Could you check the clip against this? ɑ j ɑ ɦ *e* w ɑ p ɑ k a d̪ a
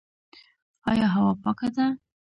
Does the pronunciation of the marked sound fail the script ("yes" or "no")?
yes